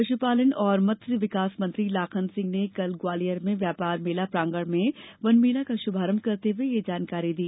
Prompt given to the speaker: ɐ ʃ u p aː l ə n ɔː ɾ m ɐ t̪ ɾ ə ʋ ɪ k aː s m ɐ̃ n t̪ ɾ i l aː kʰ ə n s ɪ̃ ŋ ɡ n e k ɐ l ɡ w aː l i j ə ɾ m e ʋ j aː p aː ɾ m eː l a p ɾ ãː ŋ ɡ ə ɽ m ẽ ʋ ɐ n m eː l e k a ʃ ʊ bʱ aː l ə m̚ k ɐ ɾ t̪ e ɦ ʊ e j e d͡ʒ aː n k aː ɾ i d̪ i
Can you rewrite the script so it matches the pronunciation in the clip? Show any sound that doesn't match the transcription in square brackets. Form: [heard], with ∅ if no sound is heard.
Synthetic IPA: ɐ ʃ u p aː l ə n ɔː ɾ m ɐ t̪ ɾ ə ʋ ɪ k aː s m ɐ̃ n t̪ ɾ i l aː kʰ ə n s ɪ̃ ŋ ɡ n e k ɐ l ɡ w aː l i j ə ɾ m [ẽ] ʋ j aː p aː ɾ m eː l a p ɾ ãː ŋ ɡ ə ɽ m ẽ ʋ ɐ n m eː l [a] k a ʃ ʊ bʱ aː [ɾ] ə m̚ k ɐ ɾ t̪ e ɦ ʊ e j e d͡ʒ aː n k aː ɾ i d̪ [iː]